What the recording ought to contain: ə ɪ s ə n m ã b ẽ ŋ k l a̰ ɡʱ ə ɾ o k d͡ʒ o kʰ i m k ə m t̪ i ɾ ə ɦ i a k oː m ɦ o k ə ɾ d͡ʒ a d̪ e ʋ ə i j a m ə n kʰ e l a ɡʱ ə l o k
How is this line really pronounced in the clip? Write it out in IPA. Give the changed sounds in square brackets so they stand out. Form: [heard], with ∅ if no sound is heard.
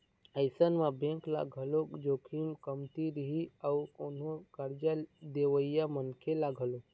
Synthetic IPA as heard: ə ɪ s ə n m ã b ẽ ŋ k l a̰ ɡʱ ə [l] o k d͡ʒ o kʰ i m k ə m t̪ i ɾ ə ɦ i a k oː [n] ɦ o k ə ɾ d͡ʒ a d̪ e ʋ ə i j a m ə n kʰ e l a ɡʱ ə l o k